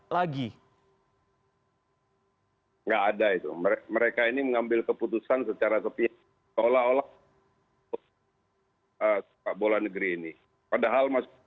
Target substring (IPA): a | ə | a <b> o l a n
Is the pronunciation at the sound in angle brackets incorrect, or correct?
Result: correct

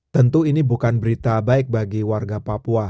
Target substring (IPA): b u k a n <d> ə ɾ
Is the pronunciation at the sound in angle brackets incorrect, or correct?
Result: incorrect: b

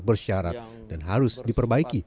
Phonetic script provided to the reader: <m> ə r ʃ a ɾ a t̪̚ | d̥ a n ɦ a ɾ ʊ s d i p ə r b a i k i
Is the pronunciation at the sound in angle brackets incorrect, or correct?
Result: incorrect: b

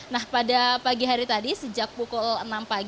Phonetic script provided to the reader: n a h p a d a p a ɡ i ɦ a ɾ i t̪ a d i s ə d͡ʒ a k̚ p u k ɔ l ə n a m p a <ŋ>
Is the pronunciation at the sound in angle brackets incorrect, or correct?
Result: incorrect: ɡ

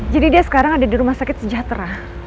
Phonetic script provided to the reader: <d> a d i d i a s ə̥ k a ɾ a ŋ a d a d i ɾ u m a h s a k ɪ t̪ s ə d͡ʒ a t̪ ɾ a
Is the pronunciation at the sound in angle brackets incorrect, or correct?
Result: incorrect: d͡ʒ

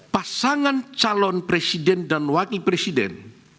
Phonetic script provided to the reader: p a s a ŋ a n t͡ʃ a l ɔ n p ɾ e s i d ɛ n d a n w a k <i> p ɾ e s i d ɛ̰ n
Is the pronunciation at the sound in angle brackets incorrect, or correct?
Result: correct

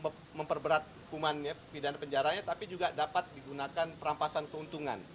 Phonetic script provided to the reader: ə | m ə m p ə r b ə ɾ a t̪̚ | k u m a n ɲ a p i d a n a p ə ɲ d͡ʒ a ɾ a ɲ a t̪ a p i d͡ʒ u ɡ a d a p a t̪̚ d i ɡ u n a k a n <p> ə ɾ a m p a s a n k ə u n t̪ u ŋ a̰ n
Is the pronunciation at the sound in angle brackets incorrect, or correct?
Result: correct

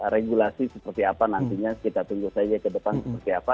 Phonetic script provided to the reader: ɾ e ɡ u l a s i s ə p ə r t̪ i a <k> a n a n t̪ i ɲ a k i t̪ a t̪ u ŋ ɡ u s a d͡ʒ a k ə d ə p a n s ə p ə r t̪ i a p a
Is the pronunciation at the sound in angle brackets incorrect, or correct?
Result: incorrect: p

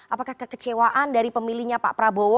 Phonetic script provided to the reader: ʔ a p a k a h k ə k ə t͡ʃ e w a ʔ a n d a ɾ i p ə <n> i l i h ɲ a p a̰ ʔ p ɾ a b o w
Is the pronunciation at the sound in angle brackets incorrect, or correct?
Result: incorrect: m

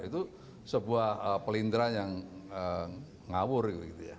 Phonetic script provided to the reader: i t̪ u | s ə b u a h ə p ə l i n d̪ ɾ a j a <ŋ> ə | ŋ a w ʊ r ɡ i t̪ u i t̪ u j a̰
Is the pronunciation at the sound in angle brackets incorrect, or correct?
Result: correct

